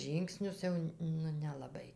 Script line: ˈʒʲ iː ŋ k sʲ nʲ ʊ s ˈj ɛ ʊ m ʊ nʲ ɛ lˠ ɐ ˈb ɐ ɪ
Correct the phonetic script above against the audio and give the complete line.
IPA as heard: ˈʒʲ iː ŋ k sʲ nʲ ʊ s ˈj ɛ ʊ n ʊ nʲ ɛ lˠ ɐ ˈb ɐ ɪ